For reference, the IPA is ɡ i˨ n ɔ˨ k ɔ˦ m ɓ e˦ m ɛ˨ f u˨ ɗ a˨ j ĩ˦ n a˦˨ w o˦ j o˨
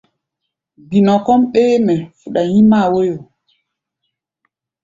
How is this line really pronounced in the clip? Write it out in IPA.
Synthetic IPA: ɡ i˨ n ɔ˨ k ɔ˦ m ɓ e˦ m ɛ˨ f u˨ ɗ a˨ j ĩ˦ m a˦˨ w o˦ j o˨